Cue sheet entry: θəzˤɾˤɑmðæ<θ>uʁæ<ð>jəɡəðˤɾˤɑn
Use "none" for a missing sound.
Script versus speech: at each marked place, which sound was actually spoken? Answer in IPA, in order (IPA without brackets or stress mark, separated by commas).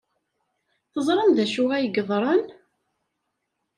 ʃ, none